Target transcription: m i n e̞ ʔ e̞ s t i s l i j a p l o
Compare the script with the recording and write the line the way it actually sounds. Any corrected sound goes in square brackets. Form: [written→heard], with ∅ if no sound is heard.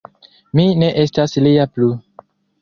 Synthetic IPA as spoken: m i n e̞ ʔ e̞ s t [i→a] s l i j a p l [o→u]